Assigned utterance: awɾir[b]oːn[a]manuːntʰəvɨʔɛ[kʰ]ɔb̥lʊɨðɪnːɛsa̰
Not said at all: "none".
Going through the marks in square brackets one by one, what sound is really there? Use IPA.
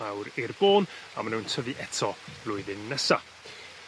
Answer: b, a, tʰ

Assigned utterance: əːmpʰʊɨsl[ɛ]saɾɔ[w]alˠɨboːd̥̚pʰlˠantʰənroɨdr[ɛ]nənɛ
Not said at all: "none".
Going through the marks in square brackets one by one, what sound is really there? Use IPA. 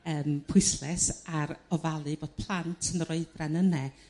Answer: ɛ, v, a

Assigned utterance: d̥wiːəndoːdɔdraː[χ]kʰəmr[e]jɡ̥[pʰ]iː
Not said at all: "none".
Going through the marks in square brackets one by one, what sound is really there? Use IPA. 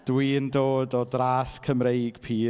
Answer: s, e, pʰ

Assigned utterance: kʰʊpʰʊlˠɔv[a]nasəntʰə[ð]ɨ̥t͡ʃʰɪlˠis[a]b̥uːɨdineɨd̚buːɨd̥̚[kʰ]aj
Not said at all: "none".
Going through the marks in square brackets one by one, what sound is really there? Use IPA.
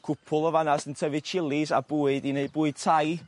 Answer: a, v, a, tʰ

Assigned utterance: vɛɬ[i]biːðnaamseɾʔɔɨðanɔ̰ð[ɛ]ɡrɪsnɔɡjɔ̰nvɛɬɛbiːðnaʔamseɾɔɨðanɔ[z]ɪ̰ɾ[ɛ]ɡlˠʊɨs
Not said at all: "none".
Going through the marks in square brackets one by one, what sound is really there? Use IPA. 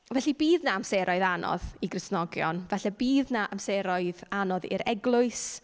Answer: i, i, ð, ɛ

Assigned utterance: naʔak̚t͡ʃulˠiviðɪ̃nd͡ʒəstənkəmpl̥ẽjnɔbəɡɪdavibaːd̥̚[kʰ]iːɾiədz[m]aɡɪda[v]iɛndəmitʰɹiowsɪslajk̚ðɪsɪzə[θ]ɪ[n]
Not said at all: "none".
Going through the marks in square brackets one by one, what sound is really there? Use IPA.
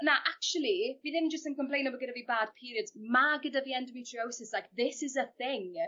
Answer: pʰ, m, v, θ, ŋ

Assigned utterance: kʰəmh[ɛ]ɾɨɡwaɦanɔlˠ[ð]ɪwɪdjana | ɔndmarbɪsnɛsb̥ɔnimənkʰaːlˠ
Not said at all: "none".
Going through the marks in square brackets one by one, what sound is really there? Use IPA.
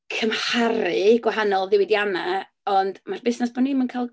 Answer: a, ð

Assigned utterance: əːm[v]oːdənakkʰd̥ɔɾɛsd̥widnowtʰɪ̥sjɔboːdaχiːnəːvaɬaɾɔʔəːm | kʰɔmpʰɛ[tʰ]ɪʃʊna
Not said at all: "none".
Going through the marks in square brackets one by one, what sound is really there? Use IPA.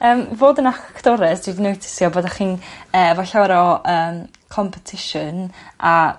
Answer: v, tʰ

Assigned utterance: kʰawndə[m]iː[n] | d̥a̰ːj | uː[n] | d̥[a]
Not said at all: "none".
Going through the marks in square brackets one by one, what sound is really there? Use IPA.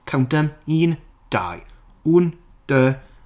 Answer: m, n, n, ə

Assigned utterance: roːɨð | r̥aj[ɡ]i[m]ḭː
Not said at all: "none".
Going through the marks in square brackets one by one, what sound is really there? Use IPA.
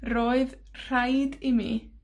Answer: d, m

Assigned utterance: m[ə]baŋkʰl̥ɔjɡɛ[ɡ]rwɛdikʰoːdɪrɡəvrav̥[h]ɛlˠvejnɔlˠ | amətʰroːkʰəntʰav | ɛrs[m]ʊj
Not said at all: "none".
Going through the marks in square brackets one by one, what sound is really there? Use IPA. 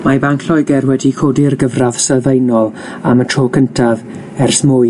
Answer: a, none, s, m

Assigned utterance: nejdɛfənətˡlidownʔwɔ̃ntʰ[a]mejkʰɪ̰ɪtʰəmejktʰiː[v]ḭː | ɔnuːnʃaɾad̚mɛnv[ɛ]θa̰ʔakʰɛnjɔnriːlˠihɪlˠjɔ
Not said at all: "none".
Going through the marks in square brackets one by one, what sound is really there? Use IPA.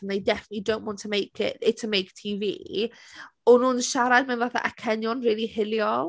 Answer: ə, v, a

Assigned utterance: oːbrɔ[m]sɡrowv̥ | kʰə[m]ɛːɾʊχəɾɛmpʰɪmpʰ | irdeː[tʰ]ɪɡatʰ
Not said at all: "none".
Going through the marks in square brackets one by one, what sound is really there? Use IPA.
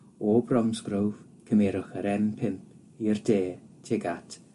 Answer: m, m, tʰ

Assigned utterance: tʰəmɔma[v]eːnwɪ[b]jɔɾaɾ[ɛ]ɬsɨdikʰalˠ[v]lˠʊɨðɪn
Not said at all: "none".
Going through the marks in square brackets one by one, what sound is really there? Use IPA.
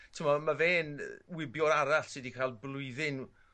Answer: v, b, a, b

